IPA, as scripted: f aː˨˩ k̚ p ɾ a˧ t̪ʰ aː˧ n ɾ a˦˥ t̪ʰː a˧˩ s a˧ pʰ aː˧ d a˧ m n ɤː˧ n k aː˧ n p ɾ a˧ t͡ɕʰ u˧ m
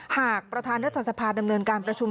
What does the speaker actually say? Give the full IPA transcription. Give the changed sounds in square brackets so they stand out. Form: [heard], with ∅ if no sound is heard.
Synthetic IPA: [h] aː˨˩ k̚ p ɾ a˧ t̪ʰ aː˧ n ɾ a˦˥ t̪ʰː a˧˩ s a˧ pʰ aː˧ d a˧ m n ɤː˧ n k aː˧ n p ɾ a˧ t͡ɕʰ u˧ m